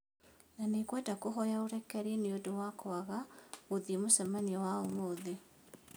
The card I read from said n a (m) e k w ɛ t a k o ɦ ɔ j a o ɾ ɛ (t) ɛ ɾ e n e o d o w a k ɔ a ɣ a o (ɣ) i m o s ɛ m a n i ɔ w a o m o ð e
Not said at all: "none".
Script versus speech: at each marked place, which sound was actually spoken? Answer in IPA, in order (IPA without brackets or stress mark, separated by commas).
n, k, ð